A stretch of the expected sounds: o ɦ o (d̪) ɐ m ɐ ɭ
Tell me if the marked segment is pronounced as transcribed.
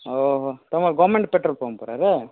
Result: no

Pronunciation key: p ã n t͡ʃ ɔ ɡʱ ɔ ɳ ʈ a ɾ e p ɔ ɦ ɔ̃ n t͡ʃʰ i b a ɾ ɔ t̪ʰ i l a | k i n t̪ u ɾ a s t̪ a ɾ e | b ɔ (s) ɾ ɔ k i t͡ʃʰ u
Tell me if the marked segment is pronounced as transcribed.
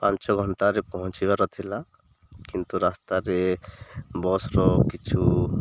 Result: yes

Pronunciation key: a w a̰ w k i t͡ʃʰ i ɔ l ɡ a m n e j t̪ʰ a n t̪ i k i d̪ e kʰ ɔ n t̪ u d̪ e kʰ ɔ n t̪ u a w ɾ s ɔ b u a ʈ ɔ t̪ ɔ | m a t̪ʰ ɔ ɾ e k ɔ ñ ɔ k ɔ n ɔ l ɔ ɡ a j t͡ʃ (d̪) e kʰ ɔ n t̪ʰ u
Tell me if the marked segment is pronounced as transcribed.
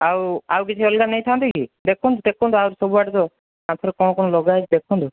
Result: yes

